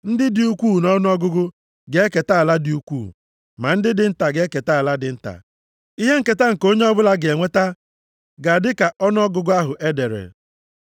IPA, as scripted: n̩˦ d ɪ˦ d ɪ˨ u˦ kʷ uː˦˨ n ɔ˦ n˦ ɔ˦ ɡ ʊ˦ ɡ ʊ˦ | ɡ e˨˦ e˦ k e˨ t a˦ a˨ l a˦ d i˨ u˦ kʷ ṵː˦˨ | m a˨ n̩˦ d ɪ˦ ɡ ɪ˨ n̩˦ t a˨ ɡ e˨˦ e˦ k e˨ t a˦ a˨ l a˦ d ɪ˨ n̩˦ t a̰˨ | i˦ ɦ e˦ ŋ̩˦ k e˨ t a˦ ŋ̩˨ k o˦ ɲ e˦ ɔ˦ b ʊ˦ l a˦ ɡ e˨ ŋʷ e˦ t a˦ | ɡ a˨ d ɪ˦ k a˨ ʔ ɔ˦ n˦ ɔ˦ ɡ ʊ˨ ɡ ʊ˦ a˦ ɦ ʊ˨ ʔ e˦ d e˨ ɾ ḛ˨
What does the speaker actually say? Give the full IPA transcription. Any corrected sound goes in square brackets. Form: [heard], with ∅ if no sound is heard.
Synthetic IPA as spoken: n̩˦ d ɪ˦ d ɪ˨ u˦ kʷ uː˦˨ n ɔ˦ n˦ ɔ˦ ɡ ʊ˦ ɡ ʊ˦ | ɡ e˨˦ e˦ k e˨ t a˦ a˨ l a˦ d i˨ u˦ kʷ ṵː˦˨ | m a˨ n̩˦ d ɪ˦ [d] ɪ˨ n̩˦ t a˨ ɡ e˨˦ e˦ k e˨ t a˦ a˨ l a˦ d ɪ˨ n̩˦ t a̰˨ | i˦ ɦ e˦ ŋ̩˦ k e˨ t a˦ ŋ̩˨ k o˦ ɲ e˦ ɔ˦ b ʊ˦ l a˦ ɡ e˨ ŋʷ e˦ t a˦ | ɡ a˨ d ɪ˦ k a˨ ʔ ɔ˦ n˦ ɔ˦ ɡ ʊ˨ ɡ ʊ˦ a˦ ɦ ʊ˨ ʔ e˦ d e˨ ɾ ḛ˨